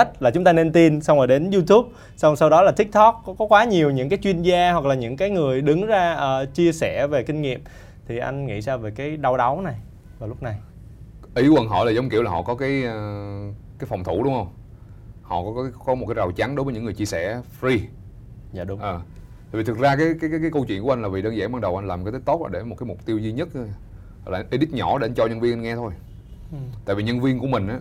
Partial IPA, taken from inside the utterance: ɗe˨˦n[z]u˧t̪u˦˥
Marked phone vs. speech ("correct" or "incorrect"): correct